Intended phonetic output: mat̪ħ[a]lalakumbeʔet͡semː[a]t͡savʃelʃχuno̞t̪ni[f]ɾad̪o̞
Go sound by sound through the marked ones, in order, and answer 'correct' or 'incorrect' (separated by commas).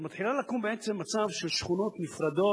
incorrect, correct, correct